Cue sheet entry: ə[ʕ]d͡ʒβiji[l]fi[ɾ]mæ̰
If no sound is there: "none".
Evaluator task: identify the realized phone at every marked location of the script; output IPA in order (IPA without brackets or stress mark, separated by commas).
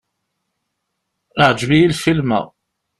ʕ, l, l